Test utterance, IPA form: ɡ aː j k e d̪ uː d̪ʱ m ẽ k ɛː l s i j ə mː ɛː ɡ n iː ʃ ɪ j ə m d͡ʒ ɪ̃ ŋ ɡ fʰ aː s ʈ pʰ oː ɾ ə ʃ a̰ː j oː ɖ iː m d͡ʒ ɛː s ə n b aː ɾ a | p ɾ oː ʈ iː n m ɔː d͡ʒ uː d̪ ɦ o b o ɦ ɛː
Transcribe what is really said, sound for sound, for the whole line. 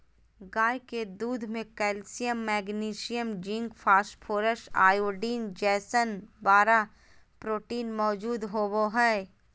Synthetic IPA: ɡ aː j k e d̪ uː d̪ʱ m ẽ k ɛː l s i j ə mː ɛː ɡ n iː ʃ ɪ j ə m d͡ʒ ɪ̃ ŋ ɡ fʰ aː s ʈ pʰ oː ɾ ə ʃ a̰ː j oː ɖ iː n d͡ʒ ɛː s ə n b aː ɾ a | p ɾ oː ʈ iː n m ɔː d͡ʒ uː d̪ ɦ o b o ɦ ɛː

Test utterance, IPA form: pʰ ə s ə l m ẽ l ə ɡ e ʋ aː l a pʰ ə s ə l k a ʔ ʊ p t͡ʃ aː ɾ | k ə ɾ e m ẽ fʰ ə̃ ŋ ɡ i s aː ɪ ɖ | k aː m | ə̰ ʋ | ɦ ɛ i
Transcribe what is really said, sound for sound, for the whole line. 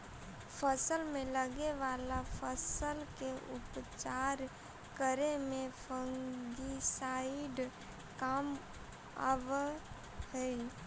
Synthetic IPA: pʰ ə s ə l m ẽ l ə ɡ e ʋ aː l a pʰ ə s ə l k e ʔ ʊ p t͡ʃ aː ɾ | k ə ɾ e m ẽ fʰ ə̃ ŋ ɡ i s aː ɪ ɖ | k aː m | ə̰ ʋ | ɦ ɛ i

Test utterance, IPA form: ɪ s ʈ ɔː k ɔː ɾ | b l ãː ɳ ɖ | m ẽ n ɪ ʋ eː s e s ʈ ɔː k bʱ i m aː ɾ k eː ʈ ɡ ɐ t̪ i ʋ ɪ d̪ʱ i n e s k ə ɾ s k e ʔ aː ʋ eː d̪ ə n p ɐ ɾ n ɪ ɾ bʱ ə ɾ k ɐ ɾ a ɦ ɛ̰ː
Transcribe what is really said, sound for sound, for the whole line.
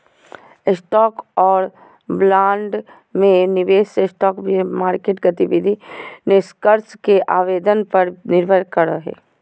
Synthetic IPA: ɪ s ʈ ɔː k ɔː ɾ | b l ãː ɳ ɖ | m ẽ n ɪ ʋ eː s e s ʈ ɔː k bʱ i m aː ɾ k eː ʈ ɡ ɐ t̪ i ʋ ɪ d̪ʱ i n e s k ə ɾ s k e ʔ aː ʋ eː d̪ ə n p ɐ ɾ n ɪ ɾ bʱ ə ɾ k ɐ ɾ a ɦ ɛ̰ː

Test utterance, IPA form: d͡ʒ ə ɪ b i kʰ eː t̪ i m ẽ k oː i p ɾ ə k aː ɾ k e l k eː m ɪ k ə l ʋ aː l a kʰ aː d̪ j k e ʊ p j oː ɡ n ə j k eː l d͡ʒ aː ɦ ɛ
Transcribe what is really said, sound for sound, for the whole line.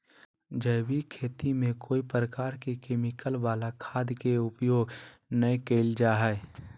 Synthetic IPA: d͡ʒ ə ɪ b i kʰ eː t̪ i m ẽ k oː i p ɾ ə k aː ɾ k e k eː m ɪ k ə l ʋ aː l a kʰ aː d̪ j k e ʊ p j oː ɡ n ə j k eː l d͡ʒ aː ɦ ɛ

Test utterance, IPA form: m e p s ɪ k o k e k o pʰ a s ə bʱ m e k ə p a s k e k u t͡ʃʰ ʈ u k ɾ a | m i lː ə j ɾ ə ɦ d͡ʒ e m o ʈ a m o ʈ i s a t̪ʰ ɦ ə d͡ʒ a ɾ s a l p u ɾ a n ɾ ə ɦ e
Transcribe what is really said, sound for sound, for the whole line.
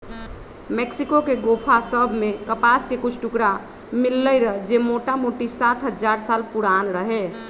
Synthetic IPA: m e k s i k o k e ɡ o pʰ a s ə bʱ m e k ə p a s k e k u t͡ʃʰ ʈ u k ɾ a | m i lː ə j ɾ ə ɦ d͡ʒ e m o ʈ a m o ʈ i s a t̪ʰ ɦ ə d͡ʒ a ɾ s a l p u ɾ a n ɾ ə ɦ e

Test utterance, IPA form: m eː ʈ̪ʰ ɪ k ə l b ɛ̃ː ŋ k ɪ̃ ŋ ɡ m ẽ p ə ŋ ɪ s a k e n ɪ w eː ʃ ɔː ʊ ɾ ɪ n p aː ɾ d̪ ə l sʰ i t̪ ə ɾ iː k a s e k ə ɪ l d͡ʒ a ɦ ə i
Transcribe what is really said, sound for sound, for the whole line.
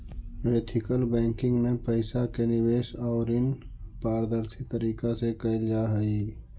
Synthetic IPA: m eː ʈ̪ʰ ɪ k ə l b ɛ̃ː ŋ k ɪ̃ ŋ ɡ m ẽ p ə ɪ s a k e n ɪ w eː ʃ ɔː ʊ ɾ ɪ n p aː ɾ d̪ ə ɾ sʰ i t̪ ə ɾ iː k a s e k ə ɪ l d͡ʒ a ɦ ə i

